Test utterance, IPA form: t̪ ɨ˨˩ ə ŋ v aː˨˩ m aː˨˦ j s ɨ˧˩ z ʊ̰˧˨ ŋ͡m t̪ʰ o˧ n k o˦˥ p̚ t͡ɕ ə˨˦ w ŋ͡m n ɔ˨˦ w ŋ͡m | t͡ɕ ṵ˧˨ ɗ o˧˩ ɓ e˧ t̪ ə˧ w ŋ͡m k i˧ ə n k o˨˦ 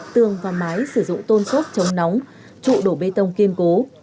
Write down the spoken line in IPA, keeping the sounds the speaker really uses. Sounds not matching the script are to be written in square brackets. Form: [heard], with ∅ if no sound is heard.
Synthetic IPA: t̪ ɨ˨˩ ə ŋ v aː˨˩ m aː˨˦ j s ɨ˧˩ z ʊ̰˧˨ ŋ͡m [t̪] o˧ n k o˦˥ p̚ t͡ɕ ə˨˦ w ŋ͡m n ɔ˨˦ w ŋ͡m | t͡ɕ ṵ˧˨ ɗ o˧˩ ɓ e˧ t̪ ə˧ w ŋ͡m k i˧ ə n k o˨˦